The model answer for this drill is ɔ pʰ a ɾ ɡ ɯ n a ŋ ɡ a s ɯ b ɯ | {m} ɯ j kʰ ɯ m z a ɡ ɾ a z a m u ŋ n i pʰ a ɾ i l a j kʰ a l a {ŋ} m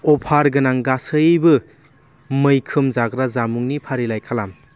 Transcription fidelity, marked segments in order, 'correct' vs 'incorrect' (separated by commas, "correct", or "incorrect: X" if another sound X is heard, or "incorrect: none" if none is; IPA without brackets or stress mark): correct, incorrect: none